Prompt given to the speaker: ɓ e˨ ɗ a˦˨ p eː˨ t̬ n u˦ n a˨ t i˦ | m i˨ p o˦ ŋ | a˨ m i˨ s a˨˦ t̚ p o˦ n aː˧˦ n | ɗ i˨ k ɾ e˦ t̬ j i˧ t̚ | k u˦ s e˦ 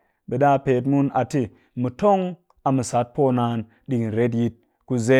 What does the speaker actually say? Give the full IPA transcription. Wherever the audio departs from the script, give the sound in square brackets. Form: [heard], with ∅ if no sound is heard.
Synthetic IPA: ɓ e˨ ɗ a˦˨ p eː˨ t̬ [m] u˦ n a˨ t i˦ | m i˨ [t] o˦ ŋ | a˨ m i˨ s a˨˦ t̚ p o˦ n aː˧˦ n | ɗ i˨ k ɾ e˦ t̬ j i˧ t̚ | k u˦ [z] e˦